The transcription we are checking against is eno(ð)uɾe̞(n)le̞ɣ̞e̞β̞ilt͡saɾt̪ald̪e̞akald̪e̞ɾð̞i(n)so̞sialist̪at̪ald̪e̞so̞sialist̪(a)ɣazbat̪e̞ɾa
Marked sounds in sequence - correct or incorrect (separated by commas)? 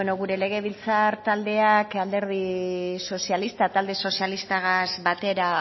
incorrect, incorrect, incorrect, correct